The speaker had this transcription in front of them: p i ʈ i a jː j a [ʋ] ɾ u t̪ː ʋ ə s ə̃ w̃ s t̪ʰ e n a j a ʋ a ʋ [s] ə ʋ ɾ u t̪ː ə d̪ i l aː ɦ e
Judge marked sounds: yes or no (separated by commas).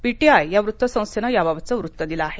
yes, no